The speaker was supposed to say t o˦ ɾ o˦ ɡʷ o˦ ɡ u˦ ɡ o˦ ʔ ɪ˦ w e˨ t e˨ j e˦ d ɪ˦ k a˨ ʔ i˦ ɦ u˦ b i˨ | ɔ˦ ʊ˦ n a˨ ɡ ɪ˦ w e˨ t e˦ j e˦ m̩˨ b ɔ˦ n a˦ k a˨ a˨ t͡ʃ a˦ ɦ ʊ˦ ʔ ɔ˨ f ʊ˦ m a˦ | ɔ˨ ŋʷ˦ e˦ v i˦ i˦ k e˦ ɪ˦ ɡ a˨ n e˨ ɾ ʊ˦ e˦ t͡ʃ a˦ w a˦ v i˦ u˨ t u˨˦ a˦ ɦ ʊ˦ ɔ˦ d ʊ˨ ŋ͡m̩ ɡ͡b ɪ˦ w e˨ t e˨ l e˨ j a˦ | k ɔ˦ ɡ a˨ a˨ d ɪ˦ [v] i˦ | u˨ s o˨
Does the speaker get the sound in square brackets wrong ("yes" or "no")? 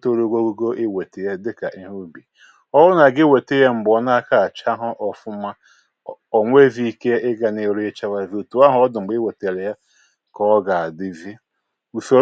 no